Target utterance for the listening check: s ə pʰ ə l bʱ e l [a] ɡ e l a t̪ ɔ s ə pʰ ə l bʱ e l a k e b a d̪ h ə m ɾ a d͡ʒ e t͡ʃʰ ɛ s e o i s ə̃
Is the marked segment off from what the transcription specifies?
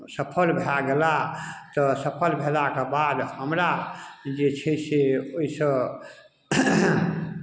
no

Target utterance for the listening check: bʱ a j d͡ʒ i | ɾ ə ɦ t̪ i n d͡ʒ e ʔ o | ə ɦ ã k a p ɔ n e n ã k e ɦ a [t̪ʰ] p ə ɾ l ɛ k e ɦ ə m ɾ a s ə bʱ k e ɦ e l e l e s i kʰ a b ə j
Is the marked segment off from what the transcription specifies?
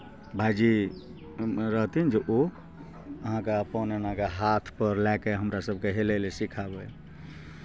no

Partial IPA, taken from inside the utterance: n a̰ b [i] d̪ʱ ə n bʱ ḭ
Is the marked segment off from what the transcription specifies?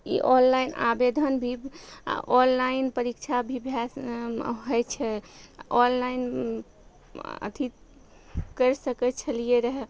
yes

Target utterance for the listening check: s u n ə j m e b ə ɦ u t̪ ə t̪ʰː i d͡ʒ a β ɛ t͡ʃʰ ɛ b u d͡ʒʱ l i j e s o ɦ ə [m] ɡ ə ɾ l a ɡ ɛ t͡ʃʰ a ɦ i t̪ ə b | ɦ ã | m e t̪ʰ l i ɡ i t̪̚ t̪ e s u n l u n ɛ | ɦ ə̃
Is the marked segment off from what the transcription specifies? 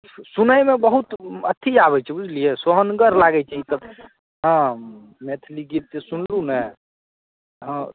yes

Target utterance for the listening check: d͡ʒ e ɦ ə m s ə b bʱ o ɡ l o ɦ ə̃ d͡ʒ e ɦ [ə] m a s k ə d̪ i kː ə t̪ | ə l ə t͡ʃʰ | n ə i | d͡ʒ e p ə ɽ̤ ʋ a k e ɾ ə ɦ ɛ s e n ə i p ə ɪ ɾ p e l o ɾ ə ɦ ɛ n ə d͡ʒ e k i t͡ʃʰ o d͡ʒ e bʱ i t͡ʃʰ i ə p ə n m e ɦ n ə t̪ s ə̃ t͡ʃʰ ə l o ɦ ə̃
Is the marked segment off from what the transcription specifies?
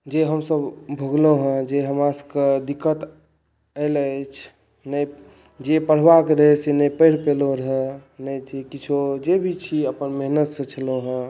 no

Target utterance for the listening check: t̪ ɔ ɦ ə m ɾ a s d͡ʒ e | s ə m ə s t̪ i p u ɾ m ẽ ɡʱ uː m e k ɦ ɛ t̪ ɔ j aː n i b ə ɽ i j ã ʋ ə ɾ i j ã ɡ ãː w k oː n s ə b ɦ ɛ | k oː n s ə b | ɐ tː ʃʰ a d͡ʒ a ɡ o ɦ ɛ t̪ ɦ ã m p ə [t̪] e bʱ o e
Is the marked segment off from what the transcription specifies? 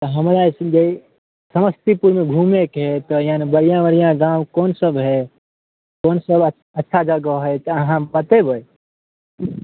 no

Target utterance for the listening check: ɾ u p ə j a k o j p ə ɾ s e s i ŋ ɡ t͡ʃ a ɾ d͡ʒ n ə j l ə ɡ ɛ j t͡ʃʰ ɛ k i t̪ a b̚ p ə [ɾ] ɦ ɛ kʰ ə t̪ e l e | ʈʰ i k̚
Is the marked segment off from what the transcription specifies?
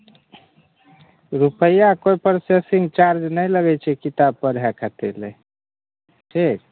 no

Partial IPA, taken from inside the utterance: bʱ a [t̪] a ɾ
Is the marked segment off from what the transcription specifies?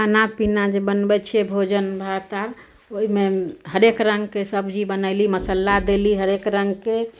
no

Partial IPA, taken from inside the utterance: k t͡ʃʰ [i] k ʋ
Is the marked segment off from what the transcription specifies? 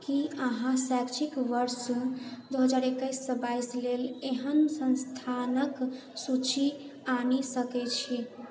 no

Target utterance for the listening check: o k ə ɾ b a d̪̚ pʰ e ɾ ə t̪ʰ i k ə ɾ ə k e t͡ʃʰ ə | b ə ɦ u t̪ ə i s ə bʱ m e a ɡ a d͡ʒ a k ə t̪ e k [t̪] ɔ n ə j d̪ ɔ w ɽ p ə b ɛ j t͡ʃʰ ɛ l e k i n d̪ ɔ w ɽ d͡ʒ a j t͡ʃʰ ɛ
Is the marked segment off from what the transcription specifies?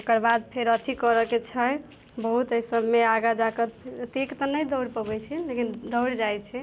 no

